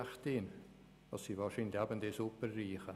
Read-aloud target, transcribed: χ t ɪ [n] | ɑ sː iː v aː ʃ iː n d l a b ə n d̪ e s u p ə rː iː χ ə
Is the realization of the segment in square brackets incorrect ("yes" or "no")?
no